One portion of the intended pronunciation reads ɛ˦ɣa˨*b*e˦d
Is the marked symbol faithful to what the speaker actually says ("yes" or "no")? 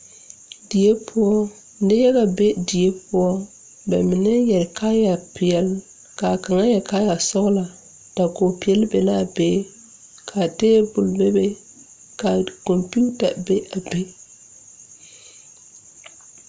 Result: yes